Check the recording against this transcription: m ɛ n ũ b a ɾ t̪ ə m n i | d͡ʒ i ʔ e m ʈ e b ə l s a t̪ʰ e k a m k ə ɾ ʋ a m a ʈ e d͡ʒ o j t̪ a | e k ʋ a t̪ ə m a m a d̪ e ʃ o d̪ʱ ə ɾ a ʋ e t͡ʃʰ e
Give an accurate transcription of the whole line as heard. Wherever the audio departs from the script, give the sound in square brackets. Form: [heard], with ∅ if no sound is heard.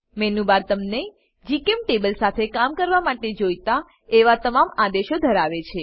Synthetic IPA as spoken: m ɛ n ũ b a ɾ t̪ ə m n [e] | d͡ʒ i [k] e m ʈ e b ə l s a t̪ʰ e k a m k ə ɾ ʋ a m a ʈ e d͡ʒ o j t̪ a | e [∅] ʋ a t̪ ə m a m a d̪ e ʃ o d̪ʱ ə ɾ a ʋ e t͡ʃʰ e